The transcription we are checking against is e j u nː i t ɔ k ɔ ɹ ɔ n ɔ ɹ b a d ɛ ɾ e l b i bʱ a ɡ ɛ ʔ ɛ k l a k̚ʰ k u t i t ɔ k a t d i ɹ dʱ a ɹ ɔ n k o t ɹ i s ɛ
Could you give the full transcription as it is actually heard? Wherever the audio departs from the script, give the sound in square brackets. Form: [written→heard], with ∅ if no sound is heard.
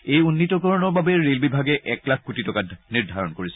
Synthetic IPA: e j u nː i t ɔ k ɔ ɹ ɔ n ɔ ɹ b a [d→b] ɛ [ɾ→ɹ] e l b i bʱ a ɡ ɛ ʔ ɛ k l a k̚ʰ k u t i t ɔ k a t [d→n] i ɹ dʱ a ɹ ɔ n k o [t→∅] ɹ i s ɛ